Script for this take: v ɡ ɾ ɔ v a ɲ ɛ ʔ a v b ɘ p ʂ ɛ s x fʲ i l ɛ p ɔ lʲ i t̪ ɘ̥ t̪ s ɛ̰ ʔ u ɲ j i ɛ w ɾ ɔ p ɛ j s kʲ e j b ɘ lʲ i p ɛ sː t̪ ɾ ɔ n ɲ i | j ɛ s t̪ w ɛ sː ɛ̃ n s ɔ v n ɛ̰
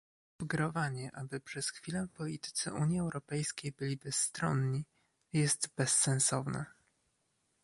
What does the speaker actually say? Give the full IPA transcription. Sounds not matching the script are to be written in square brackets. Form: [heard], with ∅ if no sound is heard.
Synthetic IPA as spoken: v ɡ ɾ ɔ v a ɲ ɛ ʔ a [∅] b ɘ p ʂ ɛ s x fʲ i l ɛ p ɔ lʲ i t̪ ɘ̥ t̪ s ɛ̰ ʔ u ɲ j i ɛ w ɾ ɔ p ɛ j s kʲ e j b ɘ lʲ i [b] ɛ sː t̪ ɾ ɔ n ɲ i | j ɛ s t̪ [b] ɛ sː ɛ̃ n s ɔ v n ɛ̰